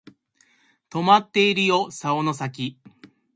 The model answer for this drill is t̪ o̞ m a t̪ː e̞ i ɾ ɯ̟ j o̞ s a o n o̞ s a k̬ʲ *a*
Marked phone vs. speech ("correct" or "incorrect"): incorrect